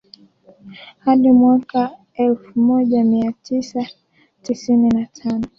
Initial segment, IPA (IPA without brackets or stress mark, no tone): h